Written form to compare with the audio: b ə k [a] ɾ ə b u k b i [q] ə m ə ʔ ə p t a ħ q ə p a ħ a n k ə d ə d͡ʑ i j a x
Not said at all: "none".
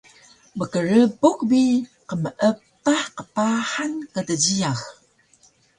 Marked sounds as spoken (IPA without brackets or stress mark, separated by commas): ə, q